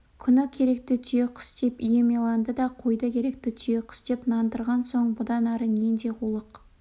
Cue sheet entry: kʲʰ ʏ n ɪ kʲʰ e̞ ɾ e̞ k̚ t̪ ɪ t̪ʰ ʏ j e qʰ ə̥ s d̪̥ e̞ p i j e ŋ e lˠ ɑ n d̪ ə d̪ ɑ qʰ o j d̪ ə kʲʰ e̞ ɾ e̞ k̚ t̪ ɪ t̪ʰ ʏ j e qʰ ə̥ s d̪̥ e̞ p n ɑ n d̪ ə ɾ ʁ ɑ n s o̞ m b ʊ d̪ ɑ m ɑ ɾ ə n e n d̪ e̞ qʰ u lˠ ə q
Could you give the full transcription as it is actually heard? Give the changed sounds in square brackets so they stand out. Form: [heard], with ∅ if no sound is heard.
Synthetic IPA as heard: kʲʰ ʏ n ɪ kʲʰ e̞ ɾ e̞ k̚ t̪ ɪ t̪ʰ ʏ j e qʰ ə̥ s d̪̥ e̞ p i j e [m] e lˠ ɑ n d̪ ə d̪ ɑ qʰ o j d̪ ə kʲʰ e̞ ɾ e̞ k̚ t̪ ɪ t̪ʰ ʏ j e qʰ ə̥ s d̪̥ e̞ p n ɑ n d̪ ə ɾ ʁ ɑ n s o̞ [ɴ] b ʊ d̪ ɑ [n] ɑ ɾ ə n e n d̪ e̞ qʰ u lˠ ə q